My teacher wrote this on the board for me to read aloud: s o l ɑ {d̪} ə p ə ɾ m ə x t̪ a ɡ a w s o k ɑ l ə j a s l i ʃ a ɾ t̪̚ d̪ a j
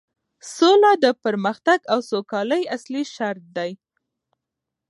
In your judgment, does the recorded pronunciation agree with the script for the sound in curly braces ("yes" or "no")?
yes